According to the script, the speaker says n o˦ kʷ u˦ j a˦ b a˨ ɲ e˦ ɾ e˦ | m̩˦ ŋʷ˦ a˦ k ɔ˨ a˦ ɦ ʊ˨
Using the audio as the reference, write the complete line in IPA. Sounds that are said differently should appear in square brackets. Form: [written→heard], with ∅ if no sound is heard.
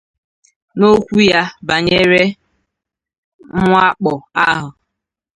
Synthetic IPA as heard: n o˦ kʷ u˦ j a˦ b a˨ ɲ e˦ ɾ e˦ | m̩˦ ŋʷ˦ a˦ [k→k͡p] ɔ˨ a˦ ɦ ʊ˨